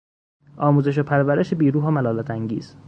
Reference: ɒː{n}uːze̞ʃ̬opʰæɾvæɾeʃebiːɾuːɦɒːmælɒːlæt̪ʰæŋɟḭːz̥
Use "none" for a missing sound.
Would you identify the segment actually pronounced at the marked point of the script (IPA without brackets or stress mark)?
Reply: m